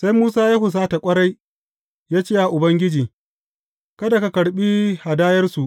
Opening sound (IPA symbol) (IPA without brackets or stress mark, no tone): s